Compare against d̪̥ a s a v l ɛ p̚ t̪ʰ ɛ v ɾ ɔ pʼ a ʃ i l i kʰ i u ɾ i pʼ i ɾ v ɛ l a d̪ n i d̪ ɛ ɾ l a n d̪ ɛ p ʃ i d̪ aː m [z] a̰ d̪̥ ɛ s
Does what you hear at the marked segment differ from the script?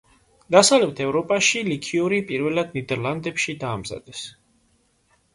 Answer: no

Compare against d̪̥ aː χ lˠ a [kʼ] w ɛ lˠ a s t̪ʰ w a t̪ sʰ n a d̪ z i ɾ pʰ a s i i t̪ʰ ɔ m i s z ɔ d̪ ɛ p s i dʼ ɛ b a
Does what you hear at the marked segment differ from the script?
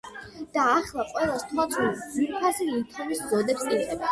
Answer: yes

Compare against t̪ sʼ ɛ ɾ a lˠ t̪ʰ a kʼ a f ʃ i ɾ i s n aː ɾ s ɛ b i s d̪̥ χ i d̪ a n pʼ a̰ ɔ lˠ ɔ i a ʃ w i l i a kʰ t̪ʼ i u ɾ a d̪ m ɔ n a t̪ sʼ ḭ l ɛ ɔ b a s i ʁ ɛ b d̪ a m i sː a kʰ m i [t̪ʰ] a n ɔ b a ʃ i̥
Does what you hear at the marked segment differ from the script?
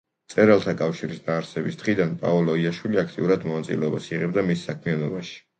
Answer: yes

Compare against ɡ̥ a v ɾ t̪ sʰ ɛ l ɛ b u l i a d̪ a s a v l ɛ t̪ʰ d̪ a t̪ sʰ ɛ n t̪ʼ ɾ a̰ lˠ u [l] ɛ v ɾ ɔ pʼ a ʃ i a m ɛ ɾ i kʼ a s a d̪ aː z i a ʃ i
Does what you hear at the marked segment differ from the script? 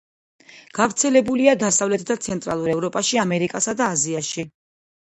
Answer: yes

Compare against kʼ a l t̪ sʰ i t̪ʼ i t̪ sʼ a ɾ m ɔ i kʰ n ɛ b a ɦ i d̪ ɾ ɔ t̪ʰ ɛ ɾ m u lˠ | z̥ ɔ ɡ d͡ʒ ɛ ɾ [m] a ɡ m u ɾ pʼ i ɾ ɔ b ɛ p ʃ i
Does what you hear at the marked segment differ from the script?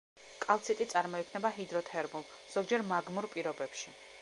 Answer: no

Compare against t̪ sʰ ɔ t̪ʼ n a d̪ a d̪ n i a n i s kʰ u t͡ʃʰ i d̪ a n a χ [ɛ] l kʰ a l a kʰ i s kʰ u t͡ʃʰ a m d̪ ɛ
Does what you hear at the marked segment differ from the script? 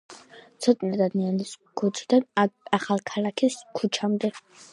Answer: yes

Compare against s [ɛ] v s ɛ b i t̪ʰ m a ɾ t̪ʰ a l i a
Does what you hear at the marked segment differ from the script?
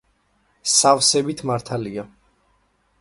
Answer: yes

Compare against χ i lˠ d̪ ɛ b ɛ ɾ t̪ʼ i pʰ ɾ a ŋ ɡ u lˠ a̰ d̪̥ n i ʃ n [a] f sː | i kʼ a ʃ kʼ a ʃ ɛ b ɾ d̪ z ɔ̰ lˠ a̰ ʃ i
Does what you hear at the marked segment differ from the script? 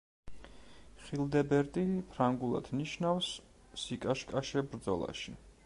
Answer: no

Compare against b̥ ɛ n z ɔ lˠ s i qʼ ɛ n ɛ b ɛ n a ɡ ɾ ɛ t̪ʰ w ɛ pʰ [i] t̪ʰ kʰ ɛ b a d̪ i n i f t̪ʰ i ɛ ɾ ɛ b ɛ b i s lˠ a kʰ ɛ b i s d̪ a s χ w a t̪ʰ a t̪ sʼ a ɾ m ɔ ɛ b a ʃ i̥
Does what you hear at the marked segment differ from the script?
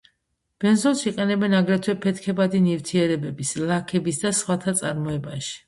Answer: yes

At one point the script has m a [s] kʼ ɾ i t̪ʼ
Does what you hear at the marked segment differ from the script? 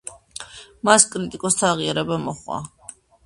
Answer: no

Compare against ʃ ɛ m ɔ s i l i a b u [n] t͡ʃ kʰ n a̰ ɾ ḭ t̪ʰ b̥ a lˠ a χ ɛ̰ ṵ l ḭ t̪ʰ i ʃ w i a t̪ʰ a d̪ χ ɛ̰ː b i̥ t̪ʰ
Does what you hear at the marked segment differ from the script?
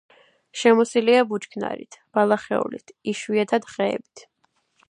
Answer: yes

